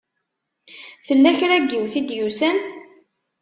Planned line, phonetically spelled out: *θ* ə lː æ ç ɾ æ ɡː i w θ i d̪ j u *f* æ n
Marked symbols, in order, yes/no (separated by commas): yes, no